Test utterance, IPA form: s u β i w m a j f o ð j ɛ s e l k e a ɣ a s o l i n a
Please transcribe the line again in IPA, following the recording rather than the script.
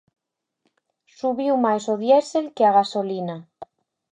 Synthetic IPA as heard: s u β i w m a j s o ð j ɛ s e l k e a ɣ a s o l i n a

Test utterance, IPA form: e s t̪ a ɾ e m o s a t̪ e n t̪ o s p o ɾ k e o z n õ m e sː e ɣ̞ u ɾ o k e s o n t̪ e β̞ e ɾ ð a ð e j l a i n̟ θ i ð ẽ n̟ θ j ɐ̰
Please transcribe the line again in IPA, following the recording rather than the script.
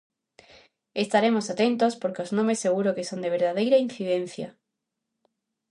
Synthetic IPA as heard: e s t̪ a ɾ e m o s a t̪ e n t̪ o s p o ɾ k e o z n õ m e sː e ɣ̞ u ɾ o k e s o n d̪ e β̞ e ɾ ð a ð e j ɾ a i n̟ θ i ð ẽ n̟ θ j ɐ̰

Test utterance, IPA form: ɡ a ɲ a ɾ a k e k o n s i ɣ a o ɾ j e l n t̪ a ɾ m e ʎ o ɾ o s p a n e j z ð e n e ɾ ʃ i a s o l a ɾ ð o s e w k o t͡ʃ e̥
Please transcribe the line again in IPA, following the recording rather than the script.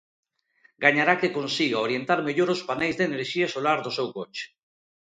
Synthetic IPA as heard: ɡ a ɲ a ɾ a k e k o n s i ɣ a o ɾ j e n t̪ a ɾ m e ʎ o ɾ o s p a n e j z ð e n e ɾ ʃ i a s o l a ɾ ð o s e w k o t͡ʃ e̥

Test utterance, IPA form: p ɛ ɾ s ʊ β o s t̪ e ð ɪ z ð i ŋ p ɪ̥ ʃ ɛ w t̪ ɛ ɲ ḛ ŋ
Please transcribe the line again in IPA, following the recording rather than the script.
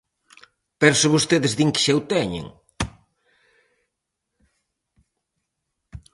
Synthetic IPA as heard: p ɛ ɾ s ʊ β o s t̪ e ð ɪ z ð i ŋ k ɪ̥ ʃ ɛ w t̪ ɛ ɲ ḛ ŋ

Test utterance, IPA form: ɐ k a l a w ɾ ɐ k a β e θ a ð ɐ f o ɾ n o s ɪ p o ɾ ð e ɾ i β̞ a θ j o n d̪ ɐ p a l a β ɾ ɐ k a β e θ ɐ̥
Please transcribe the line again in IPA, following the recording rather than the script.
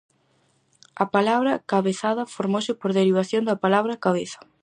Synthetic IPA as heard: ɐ p a l a β ɾ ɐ k a β e θ a ð ɐ f o ɾ m o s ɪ p o ɾ ð e ɾ i β̞ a θ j o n d̪ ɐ p a l a β ɾ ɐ k a β e θ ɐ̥

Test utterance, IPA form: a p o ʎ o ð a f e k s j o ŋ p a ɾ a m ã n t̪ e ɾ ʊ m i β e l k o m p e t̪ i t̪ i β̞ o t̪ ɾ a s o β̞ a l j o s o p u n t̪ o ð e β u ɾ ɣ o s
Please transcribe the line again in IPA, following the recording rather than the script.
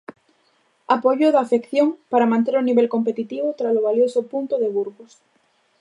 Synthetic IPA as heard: a p o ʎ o ð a f e k θ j o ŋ p a ɾ a m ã n t̪ e ɾ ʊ n i β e l k o m p e t̪ i t̪ i β̞ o t̪ ɾ a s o β̞ a l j o s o p u n t̪ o ð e β u ɾ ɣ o s

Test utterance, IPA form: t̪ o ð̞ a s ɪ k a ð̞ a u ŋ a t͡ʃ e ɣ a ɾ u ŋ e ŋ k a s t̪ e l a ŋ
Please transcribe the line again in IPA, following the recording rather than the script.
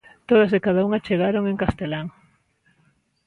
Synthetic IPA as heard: t̪ o ð̞ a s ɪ k a ð̞ a u ŋ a t͡ʃ e ɣ a ɾ o ŋ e ŋ k a s t̪ e l a ŋ

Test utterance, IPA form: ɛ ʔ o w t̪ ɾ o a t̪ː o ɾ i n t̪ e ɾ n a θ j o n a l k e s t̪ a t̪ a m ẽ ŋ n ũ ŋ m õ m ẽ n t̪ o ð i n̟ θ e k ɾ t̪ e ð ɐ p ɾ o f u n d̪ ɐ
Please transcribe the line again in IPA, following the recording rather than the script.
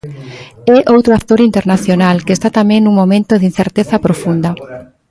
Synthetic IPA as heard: ɛ ʔ o w t̪ ɾ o a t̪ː o ɾ i n t̪ e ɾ n a θ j o n a l k e s t̪ a t̪ a m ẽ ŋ n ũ ŋ m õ m ẽ n t̪ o ð i n̟ θ e ɾ t̪ e θ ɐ p ɾ o f u n d̪ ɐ

